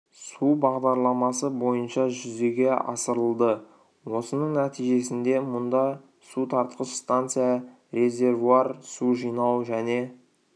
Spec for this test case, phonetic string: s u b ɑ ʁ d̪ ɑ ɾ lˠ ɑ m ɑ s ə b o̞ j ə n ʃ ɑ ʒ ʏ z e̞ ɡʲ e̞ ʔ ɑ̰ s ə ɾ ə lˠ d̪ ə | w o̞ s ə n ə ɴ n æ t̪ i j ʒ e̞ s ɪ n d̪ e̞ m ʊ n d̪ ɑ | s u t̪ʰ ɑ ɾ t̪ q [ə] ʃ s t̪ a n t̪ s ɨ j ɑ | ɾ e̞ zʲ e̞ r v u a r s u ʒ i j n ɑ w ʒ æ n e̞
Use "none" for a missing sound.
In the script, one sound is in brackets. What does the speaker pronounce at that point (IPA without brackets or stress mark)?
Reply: ə